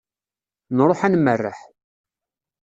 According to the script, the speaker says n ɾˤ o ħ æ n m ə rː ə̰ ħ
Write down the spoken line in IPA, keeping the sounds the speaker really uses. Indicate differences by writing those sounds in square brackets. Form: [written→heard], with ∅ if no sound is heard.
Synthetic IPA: n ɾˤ o ħ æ n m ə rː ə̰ ħ